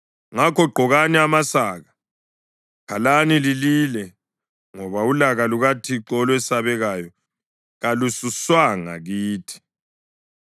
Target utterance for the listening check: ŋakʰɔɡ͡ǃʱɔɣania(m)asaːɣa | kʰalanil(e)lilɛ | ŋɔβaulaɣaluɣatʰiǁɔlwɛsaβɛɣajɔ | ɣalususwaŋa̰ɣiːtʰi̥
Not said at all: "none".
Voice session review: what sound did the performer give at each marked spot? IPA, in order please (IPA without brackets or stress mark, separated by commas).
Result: m, i